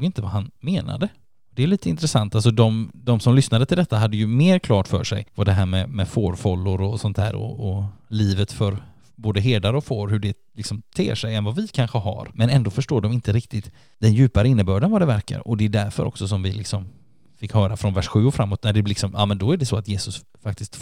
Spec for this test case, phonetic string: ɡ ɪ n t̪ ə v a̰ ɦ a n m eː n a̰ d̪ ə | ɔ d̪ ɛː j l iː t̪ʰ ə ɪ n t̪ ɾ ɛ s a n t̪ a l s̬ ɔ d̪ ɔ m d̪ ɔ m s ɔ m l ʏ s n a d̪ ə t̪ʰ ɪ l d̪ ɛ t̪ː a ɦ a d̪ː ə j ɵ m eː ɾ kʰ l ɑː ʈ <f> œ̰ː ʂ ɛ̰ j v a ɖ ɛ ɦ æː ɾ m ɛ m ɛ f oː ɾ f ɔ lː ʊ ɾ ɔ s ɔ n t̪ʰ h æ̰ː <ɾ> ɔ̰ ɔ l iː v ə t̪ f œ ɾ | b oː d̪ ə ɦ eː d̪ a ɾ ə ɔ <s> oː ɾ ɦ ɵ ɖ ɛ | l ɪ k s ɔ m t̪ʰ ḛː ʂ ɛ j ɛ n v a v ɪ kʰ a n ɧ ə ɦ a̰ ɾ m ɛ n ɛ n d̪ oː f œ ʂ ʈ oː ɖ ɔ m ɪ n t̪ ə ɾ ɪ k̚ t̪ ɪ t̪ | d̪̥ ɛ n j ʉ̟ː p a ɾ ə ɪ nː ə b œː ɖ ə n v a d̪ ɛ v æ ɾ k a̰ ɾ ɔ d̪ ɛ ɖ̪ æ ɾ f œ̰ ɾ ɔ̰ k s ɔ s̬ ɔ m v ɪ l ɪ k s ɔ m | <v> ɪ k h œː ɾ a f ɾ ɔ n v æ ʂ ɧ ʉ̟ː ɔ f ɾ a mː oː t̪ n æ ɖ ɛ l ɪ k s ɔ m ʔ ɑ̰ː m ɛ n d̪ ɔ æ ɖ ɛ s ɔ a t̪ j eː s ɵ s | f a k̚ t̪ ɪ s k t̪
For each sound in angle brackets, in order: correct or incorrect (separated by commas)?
correct, correct, incorrect, incorrect